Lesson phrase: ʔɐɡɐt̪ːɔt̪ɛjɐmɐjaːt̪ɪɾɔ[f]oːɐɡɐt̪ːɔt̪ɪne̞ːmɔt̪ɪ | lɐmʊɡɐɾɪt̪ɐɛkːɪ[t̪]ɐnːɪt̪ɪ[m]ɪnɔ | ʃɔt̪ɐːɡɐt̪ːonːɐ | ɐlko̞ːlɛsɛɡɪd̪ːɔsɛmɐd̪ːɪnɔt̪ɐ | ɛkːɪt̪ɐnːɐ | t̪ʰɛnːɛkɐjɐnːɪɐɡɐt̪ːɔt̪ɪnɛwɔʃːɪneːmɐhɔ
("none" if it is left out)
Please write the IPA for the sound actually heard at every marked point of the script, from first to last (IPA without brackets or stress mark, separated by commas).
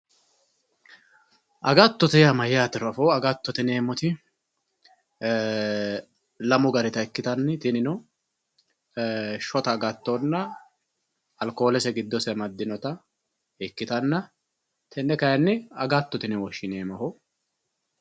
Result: f, t̪, n